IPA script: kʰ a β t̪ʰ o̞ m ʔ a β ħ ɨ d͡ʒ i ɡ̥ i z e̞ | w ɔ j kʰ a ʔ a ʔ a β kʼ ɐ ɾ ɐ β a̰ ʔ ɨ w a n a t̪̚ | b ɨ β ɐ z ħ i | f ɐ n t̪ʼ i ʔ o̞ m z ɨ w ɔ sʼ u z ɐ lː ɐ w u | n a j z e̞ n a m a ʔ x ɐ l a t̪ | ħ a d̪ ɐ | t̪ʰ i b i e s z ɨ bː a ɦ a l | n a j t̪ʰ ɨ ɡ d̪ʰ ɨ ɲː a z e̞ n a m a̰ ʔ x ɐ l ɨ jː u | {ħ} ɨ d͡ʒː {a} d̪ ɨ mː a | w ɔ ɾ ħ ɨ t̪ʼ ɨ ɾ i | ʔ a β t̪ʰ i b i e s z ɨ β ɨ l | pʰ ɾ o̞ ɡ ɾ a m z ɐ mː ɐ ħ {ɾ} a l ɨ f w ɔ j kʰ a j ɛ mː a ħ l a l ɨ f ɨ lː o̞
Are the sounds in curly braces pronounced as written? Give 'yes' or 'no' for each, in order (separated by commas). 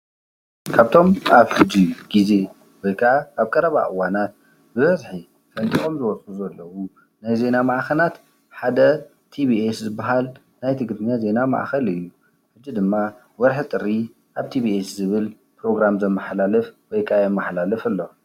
yes, no, no